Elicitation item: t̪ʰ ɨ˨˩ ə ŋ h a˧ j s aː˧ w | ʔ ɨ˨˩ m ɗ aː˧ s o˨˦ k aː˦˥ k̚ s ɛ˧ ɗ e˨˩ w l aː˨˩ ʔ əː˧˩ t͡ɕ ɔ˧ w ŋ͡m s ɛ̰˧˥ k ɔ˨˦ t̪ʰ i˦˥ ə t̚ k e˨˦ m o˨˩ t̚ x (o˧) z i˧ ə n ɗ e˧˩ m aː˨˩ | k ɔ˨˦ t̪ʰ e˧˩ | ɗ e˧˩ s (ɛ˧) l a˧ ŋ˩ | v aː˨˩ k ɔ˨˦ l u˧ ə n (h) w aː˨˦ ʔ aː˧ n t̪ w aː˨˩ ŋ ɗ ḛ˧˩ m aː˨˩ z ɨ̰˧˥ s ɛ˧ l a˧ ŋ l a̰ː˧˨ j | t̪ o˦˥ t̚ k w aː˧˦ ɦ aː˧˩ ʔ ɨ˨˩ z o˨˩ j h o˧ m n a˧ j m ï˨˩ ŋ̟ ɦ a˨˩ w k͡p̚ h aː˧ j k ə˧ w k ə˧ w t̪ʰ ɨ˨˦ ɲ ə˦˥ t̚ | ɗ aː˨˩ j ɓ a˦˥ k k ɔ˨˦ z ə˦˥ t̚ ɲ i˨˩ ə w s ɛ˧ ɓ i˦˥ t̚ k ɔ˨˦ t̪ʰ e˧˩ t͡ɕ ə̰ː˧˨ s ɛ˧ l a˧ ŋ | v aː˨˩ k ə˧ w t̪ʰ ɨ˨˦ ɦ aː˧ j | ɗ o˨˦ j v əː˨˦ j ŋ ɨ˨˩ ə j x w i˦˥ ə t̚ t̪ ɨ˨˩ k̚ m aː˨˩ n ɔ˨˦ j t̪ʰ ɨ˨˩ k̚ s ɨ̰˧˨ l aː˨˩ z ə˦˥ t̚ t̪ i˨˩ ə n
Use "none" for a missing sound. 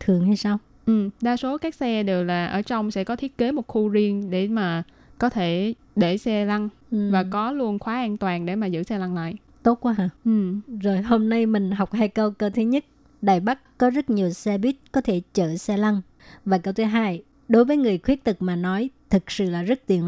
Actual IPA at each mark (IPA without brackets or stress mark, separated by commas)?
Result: u˧, ɛ˧, x